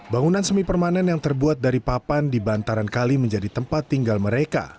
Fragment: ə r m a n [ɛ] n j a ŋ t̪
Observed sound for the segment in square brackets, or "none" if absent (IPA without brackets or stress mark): ɛ